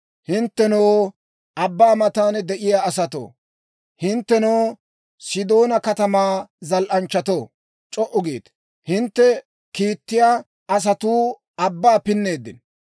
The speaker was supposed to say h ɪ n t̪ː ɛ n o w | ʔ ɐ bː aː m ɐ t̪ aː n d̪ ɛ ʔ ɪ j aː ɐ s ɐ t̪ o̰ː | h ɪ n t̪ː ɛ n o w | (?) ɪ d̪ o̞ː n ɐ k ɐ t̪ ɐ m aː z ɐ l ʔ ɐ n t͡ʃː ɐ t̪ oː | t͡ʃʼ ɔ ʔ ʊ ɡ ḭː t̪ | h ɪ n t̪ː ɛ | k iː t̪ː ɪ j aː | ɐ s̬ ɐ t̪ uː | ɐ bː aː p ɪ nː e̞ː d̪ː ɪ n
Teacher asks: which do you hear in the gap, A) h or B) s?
B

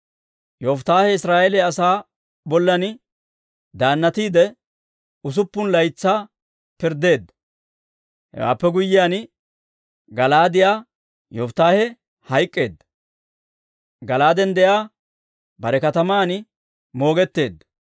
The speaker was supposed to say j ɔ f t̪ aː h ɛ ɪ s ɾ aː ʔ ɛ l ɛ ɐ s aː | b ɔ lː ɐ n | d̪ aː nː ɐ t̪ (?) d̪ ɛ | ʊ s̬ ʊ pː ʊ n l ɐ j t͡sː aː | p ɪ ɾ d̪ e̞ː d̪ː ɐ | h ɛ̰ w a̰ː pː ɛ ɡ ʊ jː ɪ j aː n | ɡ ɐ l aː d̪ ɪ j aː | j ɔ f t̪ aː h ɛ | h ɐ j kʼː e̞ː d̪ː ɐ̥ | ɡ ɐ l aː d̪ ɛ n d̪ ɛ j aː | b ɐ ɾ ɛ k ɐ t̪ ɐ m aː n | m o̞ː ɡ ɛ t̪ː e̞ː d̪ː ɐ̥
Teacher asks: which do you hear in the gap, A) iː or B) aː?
A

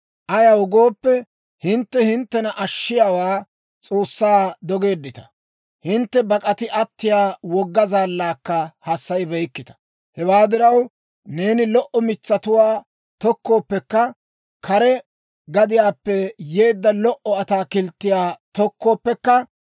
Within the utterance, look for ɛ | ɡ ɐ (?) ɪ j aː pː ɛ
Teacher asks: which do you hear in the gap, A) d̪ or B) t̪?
A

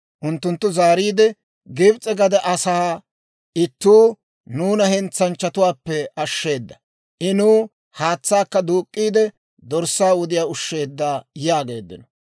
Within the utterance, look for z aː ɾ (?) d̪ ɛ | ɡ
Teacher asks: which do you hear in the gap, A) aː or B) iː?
B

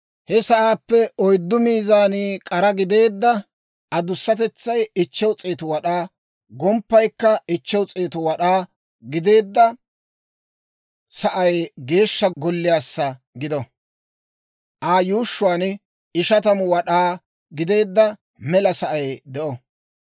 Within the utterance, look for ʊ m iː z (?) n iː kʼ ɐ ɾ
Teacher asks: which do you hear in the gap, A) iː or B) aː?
B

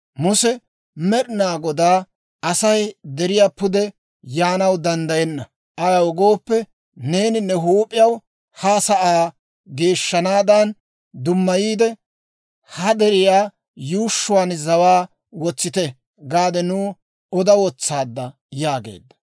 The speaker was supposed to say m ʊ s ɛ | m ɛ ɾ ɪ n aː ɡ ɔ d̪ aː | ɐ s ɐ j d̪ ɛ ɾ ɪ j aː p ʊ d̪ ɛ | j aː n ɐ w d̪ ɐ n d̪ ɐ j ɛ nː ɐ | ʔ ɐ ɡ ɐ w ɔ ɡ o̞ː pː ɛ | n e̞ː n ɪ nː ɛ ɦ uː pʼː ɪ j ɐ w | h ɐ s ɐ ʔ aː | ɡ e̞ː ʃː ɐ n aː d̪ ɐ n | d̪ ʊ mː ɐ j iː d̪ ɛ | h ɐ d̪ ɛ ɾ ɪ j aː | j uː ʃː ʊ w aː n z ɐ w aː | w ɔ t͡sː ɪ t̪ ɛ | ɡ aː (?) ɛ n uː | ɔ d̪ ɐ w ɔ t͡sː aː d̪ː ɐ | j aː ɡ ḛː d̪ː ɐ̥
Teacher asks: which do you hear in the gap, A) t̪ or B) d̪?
B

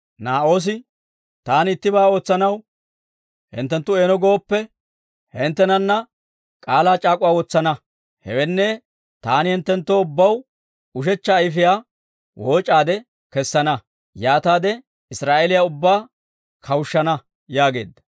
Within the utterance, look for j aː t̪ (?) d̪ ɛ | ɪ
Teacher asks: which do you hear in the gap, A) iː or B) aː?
B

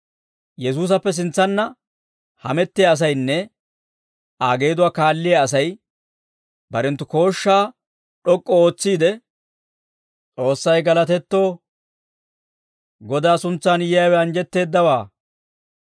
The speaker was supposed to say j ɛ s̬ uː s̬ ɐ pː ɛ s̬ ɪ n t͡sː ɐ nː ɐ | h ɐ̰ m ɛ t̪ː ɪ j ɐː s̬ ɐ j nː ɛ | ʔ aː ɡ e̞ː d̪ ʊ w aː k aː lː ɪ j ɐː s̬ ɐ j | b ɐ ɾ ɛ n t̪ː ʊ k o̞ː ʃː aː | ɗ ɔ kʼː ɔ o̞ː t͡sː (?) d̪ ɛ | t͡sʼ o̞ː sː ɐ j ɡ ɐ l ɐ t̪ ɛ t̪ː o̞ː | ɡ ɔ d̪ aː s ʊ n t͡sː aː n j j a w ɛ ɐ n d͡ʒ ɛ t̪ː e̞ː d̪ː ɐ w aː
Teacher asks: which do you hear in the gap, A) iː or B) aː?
A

